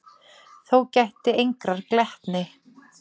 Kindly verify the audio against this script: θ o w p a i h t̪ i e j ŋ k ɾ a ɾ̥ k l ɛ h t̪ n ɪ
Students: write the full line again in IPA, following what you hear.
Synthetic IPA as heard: θ o w c a j h t̪ ɪ e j ŋ k ɾ a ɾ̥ k l ɛ h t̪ n ɪ

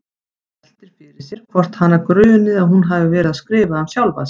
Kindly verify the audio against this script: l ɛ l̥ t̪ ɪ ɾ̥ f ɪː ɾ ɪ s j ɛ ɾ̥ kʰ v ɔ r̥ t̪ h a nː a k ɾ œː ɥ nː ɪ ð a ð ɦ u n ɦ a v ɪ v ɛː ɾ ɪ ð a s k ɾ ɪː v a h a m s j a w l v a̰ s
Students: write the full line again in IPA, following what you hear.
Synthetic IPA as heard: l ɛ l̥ t̪ ɪ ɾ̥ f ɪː ɾ ɪ s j ɛ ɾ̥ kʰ v ɔ r̥ t̪ h a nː a k ɾ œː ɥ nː ɪ ð a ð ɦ u n ɦ a v ɪ v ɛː ɾ ɪ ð a s k ɾ ɪː v a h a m s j a w l v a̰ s

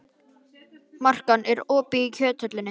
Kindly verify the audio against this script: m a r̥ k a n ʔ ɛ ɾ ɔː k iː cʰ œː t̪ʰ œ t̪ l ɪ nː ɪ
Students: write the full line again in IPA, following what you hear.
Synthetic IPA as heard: m a r̥ k a n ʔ ɛ ɾ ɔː p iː cʰ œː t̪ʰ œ t̪ l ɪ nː ɪ

